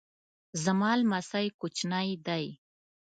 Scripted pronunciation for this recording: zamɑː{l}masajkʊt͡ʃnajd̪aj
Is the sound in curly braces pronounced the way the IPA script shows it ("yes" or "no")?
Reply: yes